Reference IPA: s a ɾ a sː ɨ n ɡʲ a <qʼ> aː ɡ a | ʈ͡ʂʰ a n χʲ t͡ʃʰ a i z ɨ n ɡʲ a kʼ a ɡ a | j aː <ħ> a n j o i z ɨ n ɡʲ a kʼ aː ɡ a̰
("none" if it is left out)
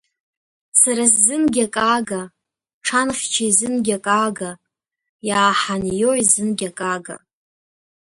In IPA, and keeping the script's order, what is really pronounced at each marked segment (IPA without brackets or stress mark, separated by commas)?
kʼ, ħ